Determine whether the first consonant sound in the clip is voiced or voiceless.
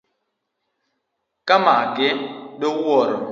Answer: voiceless